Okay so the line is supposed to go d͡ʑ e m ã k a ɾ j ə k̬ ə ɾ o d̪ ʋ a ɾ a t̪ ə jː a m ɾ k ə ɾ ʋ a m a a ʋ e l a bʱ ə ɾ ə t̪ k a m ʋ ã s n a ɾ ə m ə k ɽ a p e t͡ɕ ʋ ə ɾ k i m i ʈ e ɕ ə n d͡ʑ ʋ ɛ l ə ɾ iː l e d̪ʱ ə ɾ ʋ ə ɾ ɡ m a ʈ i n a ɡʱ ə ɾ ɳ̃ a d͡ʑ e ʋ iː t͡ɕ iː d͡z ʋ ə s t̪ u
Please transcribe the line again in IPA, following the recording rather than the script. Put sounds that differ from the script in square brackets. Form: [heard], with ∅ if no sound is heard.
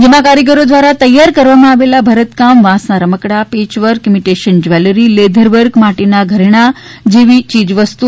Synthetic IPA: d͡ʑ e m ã k a ɾ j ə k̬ ə ɾ o d̪ ʋ a ɾ a t̪ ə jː a [∅] ɾ k ə ɾ ʋ a m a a ʋ e l a bʱ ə ɾ ə t̪ k a m ʋ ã s n a ɾ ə m ə k ɽ a p e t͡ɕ ʋ ə ɾ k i m i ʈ e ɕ ə n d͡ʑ ʋ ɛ l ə ɾ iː l e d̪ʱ ə ɾ ʋ ə ɾ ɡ m a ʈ i n a ɡʱ ə ɾ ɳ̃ a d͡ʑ e ʋ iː t͡ɕ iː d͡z ʋ ə s t̪ u